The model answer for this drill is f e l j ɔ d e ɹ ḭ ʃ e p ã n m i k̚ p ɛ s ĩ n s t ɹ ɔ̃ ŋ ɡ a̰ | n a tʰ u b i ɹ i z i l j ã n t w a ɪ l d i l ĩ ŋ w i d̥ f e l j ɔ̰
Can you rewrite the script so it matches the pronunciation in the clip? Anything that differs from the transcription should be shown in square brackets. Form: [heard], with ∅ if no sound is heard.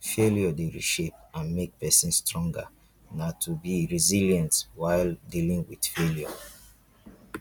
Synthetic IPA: f e l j ɔ d e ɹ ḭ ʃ e p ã n m [e] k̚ p ɛ s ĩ n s t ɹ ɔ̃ ŋ ɡ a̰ | n a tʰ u b i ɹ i z i l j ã n t w a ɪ l d i l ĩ ŋ w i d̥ f e l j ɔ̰